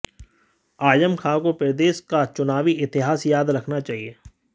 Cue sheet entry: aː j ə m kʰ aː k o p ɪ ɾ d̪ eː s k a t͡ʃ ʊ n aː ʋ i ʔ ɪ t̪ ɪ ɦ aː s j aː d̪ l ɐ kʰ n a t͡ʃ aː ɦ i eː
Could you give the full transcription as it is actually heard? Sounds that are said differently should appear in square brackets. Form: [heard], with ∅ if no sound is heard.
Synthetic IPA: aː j ə m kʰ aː k o p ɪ ɾ d̪ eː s k a t͡ʃ ʊ n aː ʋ i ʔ ɪ t̪ ɪ ɦ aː s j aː d̪ [ɾ] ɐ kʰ n a t͡ʃ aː ɦ i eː

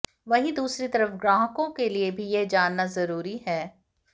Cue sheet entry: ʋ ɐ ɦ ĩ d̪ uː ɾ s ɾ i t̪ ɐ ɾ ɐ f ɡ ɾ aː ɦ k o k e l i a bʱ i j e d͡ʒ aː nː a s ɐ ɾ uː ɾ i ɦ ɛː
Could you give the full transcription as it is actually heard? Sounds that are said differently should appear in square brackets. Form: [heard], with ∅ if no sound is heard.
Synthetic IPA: ʋ ɐ ɦ ĩ d̪ uː [∅] s ɾ i t̪ ɐ ɾ [ə] f ɡ ɾ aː ɦ k [õ] k e l i [e] bʱ i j e d͡ʒ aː nː a [z] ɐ ɾ uː ɾ i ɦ ɛː

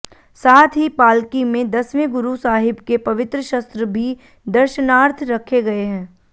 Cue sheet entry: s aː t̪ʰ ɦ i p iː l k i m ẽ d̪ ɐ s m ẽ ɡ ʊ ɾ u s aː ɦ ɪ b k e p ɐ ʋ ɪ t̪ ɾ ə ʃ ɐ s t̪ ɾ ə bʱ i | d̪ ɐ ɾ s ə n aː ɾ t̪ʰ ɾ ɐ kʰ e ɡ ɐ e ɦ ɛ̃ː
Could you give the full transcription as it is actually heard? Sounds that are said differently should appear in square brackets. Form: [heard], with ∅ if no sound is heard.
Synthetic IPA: s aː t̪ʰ ɦ i p [aː] l k i m ẽ d̪ ɐ s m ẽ ɡ ʊ ɾ u s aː ɦ ɪ b k e p ɐ ʋ ɪ t̪ ɾ ə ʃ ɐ s t̪ ɾ ə bʱ i | d̪ ɐ ɾ [ʃ] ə n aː ɾ t̪ʰ ɾ ɐ kʰ e ɡ ɐ e ɦ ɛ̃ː

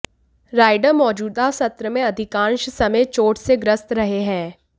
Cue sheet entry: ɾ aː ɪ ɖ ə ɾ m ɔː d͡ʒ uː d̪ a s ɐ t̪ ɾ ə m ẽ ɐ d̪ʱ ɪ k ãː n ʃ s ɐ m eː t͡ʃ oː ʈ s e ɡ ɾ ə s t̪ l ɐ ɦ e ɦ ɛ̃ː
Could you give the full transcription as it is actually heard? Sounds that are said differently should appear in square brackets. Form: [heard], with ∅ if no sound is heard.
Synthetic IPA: ɾ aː ɪ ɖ ə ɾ m ɔː d͡ʒ uː d̪ a s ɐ t̪ ɾ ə m ẽ ɐ d̪ʱ ɪ k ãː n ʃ s ɐ m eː t͡ʃ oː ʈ s e ɡ ɾ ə s t̪ [ɾ] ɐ ɦ e ɦ ɛ̃ː

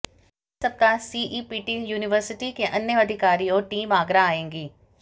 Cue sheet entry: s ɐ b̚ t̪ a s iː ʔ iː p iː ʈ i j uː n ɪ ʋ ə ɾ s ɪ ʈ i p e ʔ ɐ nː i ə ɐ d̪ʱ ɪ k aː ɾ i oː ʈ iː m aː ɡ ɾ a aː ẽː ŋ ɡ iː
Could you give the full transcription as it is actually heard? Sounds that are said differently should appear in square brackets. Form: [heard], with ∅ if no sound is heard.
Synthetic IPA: s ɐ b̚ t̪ a s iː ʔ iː p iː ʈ i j uː n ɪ ʋ ə ɾ s ɪ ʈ i [k] e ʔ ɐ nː [j] ə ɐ d̪ʱ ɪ k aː ɾ i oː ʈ iː m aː ɡ ɾ a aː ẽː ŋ ɡ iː

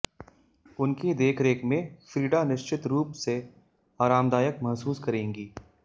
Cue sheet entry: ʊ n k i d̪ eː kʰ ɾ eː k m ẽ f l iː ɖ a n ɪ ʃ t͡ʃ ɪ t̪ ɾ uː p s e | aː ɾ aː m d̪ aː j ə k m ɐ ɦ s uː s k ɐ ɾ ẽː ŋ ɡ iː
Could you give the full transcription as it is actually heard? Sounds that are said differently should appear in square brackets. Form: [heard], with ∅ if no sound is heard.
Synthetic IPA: ʊ n k i d̪ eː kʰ ɾ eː k m ẽ f [ɾ] iː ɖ a n ɪ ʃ t͡ʃ ɪ t̪ ɾ uː p s e | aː ɾ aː m d̪ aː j ə k m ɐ ɦ s uː s k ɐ ɾ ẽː ŋ ɡ iː

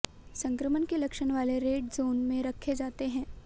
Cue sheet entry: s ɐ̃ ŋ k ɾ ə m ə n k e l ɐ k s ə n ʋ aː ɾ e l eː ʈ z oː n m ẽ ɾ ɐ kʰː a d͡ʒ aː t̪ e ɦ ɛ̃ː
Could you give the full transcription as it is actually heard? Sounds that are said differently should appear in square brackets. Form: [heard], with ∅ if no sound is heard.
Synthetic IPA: s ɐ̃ ŋ k ɾ ə m ə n k e l ɐ k [ʃ] ə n ʋ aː [l] e [ɾ] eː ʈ z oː n m ẽ ɾ ɐ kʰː [e] d͡ʒ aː t̪ e ɦ ɛ̃ː

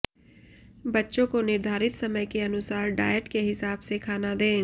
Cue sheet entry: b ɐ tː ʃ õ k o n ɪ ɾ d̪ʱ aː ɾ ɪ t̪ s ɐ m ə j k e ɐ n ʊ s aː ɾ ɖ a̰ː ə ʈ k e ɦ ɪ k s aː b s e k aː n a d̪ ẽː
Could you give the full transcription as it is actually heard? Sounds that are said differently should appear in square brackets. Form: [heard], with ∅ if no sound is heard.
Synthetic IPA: b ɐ tː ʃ õ k o n ɪ ɾ d̪ʱ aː ɾ ɪ t̪ s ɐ m ə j k e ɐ n ʊ s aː ɾ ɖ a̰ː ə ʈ k e ɦ ɪ [∅] s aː b s e [kʰ] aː n a d̪ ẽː

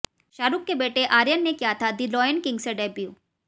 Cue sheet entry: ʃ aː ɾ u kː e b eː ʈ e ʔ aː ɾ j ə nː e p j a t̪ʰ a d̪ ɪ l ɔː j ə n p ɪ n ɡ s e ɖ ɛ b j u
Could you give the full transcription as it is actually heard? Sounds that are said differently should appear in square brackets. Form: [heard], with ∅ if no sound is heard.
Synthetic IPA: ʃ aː ɾ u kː e b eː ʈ e ʔ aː ɾ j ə nː e [k] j a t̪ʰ a d̪ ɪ l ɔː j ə n [k] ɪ [ŋ] ɡ s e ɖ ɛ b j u

